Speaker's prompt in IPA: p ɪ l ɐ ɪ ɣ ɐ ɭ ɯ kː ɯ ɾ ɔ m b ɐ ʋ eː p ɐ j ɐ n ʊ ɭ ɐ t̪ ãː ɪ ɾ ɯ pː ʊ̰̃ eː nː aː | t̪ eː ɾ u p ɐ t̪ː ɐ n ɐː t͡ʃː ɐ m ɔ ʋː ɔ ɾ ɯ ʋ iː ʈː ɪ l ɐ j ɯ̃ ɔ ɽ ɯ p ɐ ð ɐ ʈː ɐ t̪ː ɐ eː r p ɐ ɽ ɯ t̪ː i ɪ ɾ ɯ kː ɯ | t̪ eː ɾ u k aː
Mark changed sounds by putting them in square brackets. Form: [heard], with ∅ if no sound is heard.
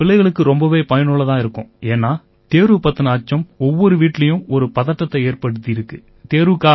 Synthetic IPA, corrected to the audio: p ɪ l ɐ ɪ ɣ ɐ ɭ ɯ kː ɯ ɾ ɔ m b ɐ ʋ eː p ɐ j ɐ n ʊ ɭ ɐ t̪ ãː ɪ ɾ ɯ [kː] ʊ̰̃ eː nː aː | t̪ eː ɾ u p ɐ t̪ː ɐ n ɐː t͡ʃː ɐ m ɔ ʋː ɔ ɾ ɯ ʋ iː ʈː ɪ l ɐ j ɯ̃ ɔ [ɾ] ɯ p ɐ ð ɐ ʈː ɐ t̪ː ɐ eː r p ɐ ɽ ɯ t̪ː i ɪ ɾ ɯ kː ɯ | t̪ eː ɾ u k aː